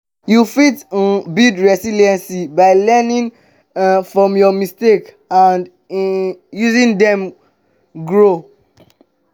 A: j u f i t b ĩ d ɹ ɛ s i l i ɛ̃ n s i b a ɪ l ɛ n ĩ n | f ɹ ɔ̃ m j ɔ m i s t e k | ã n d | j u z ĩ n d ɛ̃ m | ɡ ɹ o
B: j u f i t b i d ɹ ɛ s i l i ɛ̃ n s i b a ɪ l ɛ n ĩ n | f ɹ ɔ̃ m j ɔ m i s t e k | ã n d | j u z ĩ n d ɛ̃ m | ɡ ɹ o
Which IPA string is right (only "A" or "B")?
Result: B